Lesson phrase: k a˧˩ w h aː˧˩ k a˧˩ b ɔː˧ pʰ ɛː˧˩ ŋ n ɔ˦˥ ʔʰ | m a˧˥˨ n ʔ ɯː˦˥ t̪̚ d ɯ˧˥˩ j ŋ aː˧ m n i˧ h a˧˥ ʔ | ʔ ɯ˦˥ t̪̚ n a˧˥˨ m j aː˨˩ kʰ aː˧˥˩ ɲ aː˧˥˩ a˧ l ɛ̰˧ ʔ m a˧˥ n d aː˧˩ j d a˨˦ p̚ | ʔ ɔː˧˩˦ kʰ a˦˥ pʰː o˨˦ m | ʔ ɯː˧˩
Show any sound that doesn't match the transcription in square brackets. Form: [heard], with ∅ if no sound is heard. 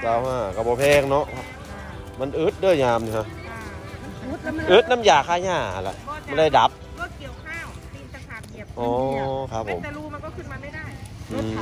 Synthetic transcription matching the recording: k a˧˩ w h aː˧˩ k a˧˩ b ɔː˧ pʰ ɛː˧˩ ŋ n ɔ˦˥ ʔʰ | m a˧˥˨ n ʔ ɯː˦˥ t̪̚ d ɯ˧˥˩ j [ɲ] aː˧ m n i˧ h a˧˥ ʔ | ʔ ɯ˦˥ t̪̚ n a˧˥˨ m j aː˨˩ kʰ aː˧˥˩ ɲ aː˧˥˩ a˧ l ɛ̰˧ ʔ m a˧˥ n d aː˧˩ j d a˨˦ p̚ | ʔ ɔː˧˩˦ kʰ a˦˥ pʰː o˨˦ m | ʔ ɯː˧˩

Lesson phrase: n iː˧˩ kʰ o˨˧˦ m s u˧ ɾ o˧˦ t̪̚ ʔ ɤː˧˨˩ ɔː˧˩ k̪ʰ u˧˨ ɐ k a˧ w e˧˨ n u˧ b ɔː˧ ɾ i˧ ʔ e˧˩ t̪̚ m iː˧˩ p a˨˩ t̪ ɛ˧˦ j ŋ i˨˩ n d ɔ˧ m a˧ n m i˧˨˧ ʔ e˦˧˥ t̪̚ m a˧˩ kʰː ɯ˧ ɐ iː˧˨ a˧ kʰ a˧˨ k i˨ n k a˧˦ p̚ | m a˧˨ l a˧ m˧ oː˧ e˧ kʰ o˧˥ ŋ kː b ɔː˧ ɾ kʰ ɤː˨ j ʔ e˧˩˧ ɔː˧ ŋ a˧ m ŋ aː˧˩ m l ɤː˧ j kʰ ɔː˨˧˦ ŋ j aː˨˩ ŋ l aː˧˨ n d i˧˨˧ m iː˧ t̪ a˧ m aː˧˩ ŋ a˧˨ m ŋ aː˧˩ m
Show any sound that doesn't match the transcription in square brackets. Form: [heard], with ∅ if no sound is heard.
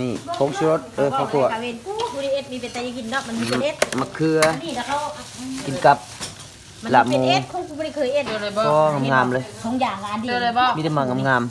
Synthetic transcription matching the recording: n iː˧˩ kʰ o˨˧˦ [ŋ] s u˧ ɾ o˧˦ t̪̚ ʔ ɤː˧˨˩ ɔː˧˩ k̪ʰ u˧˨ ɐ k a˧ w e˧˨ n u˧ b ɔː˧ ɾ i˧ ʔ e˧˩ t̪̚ m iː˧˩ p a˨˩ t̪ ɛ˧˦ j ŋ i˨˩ n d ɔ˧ m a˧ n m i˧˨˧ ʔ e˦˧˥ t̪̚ m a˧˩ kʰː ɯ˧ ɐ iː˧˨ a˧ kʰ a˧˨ k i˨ n k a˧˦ p̚ | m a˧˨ l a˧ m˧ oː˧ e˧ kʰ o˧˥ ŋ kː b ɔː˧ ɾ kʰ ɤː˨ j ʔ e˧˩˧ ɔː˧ ŋ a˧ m ŋ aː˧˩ m l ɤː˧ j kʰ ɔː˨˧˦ ŋ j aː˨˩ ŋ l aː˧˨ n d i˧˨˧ m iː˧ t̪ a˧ m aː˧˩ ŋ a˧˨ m ŋ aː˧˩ m

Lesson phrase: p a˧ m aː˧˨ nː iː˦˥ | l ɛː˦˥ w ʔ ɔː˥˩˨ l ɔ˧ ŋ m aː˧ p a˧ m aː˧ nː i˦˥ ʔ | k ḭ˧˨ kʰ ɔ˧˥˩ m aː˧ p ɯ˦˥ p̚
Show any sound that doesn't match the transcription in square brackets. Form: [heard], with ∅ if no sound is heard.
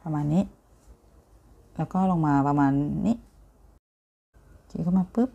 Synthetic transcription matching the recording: p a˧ m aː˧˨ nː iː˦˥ | l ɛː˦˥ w [k] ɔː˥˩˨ l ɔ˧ ŋ m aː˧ p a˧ m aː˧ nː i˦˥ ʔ | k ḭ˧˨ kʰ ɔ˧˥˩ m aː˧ p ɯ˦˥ p̚

